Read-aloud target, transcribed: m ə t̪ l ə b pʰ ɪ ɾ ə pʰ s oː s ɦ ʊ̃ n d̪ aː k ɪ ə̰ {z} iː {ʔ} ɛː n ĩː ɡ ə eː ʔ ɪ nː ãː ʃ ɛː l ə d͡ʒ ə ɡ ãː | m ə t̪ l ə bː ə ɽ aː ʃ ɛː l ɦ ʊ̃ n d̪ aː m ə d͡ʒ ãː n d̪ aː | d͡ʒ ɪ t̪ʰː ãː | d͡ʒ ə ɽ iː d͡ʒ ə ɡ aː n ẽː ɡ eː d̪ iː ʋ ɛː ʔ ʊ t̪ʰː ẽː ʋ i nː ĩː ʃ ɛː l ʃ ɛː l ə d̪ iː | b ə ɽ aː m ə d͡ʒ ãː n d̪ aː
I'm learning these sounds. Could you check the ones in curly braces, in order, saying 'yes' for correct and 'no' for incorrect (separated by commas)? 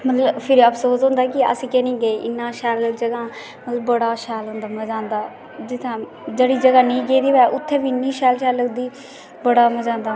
no, no